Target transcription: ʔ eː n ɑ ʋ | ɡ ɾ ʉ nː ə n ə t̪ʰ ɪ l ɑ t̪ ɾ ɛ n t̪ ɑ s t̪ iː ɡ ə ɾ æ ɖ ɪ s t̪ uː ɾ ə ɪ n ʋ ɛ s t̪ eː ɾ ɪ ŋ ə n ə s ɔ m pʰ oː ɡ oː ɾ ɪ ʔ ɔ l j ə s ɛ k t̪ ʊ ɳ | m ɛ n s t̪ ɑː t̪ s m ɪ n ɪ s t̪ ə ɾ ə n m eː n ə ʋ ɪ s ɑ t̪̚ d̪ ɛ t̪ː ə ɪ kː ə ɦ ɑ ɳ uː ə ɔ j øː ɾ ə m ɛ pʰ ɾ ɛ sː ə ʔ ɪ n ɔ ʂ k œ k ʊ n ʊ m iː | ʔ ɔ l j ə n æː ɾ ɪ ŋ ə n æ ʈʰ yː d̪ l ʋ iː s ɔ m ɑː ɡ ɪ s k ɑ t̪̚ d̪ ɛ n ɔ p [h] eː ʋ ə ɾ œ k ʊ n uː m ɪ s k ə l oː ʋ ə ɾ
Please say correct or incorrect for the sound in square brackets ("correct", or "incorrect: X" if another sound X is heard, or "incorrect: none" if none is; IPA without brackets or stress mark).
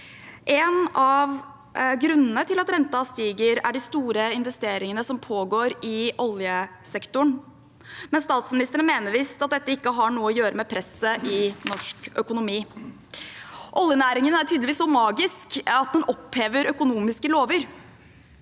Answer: correct